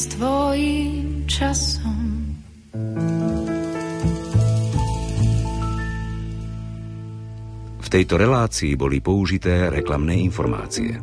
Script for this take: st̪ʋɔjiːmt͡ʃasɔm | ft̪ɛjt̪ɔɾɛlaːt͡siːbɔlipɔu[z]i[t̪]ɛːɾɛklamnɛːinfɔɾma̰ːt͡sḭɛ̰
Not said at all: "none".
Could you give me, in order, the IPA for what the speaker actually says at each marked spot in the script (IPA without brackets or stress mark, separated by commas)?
ʒ, t̪